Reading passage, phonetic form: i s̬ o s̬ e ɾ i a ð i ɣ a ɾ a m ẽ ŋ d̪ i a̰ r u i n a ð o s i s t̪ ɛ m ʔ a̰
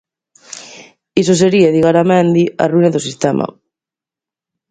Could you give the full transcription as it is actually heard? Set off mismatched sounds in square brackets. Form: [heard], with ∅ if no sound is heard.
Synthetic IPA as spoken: i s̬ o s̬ e ɾ i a ð i ɣ a ɾ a m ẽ [n] d̪ i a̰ r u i n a ð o s i s t̪ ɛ m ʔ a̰